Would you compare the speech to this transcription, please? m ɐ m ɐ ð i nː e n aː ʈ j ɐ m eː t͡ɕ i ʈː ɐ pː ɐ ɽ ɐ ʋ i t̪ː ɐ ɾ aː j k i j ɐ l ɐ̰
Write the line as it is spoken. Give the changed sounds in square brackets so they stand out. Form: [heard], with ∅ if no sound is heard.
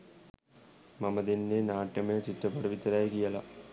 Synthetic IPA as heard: m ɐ m ɐ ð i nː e n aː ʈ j ɐ m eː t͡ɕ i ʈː ɐ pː ɐ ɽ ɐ ʋ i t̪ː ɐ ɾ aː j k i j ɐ l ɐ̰